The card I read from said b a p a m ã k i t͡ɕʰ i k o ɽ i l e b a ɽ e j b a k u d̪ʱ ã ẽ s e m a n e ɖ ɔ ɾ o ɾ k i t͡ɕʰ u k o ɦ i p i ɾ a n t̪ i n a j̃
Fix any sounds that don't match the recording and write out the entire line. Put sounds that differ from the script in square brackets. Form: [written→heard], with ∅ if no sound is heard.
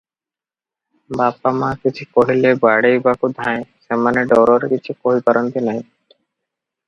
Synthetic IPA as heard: b a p a m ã k i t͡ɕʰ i k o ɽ i l e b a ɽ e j b a k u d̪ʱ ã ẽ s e m a n e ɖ ɔ ɾ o ɾ k i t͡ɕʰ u k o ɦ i p [i→a] ɾ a n t̪ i n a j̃